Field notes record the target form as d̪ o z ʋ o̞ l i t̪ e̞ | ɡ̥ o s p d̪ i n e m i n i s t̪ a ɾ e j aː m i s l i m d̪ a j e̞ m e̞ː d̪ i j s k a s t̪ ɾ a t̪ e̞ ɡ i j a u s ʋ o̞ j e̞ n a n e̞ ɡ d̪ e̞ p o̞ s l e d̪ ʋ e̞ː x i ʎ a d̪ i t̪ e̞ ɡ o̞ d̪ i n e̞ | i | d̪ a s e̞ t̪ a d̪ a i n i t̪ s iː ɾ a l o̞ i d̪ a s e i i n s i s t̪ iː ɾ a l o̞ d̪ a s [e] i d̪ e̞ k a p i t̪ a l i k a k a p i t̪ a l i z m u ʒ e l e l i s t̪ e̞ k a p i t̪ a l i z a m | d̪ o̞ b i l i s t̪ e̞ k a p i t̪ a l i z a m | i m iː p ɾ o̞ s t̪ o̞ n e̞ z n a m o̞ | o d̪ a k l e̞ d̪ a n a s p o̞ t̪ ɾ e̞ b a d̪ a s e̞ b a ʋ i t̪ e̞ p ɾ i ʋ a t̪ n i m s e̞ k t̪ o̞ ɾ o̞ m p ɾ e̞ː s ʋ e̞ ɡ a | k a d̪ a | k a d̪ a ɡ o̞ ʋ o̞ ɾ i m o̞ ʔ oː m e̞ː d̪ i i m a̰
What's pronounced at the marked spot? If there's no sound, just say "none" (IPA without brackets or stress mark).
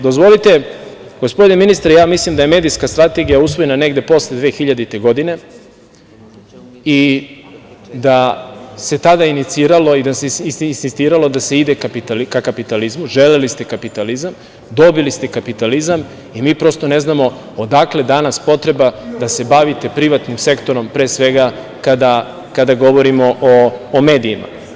e